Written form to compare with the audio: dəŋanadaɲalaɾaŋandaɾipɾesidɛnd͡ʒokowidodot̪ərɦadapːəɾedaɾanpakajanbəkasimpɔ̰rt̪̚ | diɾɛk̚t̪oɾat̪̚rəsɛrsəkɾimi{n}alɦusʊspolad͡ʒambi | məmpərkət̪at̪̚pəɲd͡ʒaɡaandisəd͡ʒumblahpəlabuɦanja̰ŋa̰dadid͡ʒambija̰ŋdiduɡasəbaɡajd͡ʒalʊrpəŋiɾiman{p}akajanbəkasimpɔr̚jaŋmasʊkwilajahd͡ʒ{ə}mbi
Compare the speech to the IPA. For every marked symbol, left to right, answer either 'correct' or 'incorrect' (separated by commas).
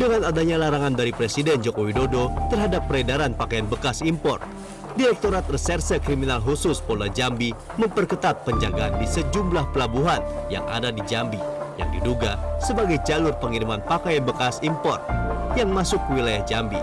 correct, correct, incorrect